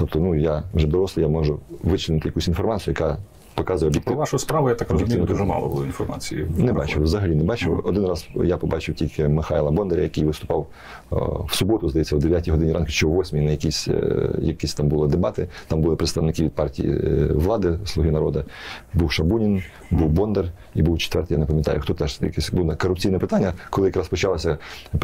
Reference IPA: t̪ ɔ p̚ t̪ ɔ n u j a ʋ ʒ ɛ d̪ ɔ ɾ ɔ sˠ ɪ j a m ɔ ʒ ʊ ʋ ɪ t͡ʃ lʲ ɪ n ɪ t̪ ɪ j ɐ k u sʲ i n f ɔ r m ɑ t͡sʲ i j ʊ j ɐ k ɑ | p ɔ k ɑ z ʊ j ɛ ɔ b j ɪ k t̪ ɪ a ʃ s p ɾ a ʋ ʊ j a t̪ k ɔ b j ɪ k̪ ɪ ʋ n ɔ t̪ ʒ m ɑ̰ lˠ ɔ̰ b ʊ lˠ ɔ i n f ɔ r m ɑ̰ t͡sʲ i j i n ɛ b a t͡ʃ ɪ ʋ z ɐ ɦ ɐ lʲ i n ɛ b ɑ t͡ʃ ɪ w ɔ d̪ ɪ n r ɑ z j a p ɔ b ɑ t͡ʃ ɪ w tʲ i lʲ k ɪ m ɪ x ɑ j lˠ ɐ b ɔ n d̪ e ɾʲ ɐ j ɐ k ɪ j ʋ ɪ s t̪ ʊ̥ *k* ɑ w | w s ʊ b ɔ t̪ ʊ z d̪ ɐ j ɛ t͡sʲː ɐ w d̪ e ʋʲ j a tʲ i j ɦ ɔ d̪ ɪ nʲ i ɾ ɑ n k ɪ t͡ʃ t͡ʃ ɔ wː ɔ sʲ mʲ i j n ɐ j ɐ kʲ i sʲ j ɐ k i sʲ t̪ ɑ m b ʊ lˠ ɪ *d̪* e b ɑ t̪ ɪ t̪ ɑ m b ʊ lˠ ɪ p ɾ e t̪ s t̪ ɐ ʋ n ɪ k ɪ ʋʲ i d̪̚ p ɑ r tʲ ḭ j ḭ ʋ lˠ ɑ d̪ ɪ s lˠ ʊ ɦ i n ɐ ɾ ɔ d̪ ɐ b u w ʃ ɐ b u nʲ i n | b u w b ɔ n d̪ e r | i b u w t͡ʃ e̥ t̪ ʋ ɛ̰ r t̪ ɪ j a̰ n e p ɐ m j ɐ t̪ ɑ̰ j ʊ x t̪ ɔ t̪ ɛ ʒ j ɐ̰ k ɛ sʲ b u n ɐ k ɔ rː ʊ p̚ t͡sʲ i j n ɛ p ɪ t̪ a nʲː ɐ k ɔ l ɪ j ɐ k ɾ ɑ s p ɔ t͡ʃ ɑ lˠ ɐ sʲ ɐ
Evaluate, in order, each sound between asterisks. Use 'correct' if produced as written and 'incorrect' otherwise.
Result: incorrect, correct

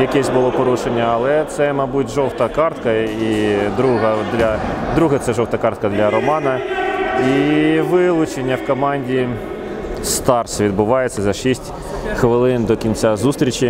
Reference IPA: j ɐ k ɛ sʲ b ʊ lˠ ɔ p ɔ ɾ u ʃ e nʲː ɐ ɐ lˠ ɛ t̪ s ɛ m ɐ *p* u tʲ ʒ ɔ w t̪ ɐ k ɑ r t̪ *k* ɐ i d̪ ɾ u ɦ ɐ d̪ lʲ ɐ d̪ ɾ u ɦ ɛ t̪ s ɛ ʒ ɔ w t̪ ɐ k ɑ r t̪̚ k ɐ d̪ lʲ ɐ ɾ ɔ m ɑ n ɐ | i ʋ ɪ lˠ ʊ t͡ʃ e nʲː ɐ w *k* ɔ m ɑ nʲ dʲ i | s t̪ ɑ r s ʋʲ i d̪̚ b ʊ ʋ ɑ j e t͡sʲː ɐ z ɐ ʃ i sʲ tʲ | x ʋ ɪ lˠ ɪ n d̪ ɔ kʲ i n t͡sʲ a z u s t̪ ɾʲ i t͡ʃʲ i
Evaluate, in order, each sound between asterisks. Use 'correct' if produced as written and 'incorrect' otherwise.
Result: incorrect, correct, correct

